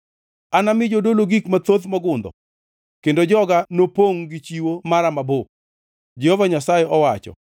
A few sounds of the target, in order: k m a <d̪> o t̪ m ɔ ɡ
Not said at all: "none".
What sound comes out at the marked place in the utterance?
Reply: t̪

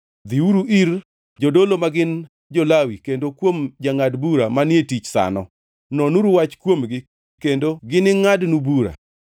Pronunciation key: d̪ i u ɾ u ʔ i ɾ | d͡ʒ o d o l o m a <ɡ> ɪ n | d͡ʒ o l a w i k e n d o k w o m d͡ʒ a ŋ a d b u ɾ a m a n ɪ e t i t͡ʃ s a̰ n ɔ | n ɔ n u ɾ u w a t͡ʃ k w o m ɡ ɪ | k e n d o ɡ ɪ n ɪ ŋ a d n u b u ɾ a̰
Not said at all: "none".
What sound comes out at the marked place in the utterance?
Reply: ɡ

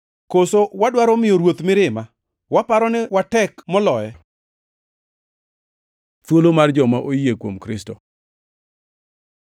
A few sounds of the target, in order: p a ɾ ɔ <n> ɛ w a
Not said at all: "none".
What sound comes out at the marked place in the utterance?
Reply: n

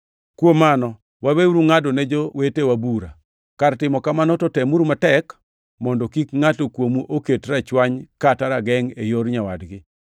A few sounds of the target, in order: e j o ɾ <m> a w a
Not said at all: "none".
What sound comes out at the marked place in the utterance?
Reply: ɲ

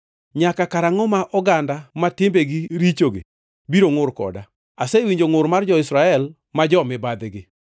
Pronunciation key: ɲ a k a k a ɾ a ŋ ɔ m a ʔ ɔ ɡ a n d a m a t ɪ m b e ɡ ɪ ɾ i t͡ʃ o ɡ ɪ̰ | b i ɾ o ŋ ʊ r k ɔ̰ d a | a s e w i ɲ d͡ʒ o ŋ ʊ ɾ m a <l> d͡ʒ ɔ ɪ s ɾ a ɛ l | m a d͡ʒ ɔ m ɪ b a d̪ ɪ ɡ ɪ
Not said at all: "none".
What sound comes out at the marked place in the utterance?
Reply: r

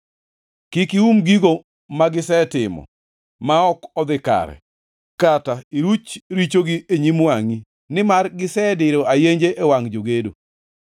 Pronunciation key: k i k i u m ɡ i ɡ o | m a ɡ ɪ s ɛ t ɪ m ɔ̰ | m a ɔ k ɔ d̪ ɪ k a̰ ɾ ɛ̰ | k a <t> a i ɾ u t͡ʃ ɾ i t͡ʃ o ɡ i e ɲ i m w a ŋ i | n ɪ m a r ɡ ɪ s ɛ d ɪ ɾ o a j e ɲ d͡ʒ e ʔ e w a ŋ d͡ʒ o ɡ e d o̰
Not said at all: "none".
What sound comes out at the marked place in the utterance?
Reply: t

